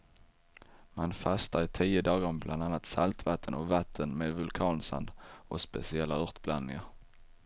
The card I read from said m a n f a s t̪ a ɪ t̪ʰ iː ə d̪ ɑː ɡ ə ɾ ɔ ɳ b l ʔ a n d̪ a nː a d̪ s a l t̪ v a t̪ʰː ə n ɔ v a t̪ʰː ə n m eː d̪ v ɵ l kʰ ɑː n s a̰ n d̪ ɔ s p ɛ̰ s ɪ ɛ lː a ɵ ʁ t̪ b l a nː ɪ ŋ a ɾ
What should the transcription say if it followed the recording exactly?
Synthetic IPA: m a n f a s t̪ a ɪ t̪ʰ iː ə d̪ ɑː ɡ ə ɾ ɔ m b l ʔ a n d̪ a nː a t̪ s a l t̪ v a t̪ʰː ə n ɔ v a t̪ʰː ə n m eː d̪ v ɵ l kʰ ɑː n s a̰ n d̪ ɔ s p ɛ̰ s ɪ ɛ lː a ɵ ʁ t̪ b l a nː ɪ ŋ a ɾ